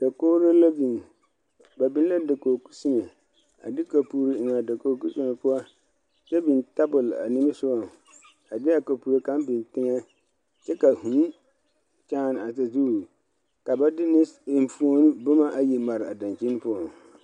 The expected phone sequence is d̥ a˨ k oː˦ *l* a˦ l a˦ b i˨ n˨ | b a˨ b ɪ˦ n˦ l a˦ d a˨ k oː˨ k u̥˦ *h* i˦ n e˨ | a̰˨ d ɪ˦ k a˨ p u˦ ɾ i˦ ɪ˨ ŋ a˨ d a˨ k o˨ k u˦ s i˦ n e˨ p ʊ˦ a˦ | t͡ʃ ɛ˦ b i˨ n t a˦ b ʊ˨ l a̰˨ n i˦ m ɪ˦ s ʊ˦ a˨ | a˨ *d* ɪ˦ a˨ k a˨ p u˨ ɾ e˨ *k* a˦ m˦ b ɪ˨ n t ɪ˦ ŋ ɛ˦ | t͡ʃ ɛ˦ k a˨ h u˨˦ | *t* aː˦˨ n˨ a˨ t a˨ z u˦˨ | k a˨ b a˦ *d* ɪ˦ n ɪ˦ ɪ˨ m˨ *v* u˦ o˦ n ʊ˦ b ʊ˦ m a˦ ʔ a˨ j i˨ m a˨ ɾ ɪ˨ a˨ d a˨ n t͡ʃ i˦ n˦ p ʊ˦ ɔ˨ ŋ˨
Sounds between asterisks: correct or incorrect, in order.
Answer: incorrect, incorrect, correct, correct, incorrect, correct, incorrect

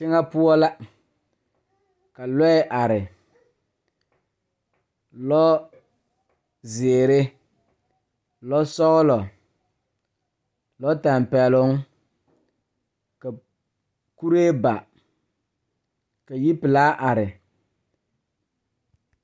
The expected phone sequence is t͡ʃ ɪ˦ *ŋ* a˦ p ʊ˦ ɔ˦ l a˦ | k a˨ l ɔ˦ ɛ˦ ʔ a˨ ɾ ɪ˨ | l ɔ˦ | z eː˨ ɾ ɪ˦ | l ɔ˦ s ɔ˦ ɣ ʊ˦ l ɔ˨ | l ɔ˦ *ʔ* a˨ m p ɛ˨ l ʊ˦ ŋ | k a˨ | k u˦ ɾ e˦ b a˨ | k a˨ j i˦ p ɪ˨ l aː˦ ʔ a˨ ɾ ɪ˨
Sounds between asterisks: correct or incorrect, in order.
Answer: correct, incorrect

